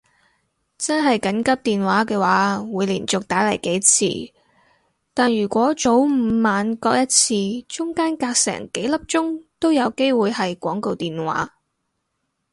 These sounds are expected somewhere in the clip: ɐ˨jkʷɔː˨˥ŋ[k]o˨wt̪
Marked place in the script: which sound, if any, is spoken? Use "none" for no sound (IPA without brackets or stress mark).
k